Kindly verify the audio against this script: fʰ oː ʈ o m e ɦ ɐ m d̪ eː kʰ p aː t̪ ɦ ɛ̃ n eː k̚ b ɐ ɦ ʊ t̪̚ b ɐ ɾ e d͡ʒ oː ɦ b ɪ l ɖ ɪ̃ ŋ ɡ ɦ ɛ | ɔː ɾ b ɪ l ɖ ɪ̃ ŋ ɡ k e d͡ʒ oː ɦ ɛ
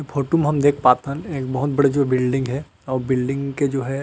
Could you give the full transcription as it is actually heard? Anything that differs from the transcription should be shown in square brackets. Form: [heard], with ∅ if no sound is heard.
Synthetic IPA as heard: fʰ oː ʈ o m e ɦ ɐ m d̪ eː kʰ p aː t̪ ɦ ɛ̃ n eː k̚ b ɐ ɦ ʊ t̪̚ b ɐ [ɽ] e d͡ʒ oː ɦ b ɪ l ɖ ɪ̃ ŋ ɡ ɦ ɛ | ɔː ɾ b ɪ l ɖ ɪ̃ ŋ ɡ k e d͡ʒ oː ɦ ɛ